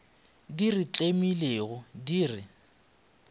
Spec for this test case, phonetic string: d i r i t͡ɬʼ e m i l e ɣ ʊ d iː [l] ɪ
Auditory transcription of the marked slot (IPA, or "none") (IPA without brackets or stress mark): r